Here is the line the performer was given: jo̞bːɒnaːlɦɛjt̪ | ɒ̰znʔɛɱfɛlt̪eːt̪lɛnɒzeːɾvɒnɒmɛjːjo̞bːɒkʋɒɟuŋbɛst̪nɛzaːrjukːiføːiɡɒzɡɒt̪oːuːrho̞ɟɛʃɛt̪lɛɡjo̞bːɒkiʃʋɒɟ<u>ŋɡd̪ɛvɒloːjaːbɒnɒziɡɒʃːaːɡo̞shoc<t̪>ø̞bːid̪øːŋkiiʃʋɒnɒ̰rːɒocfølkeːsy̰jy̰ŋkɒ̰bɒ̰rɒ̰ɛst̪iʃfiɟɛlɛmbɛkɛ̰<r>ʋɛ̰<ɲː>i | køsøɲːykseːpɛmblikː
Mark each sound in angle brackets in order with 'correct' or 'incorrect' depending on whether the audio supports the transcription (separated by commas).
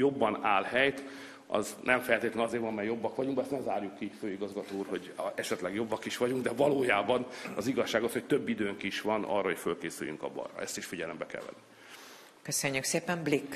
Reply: correct, correct, incorrect, incorrect